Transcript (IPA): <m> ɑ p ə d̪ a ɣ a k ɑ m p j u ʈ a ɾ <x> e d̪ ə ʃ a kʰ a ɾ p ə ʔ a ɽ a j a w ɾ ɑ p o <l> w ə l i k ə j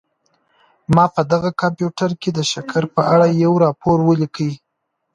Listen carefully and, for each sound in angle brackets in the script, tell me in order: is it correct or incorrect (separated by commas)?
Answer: correct, incorrect, incorrect